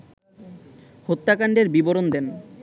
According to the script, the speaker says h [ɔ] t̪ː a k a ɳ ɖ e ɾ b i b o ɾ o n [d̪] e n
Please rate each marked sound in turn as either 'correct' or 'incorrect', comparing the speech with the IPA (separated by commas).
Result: incorrect, correct